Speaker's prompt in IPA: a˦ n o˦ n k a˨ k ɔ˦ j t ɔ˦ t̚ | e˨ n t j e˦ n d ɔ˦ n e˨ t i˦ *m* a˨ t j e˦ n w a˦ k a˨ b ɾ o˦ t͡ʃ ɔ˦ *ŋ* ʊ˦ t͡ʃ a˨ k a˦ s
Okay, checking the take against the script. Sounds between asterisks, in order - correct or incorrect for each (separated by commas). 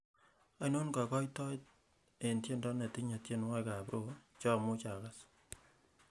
incorrect, incorrect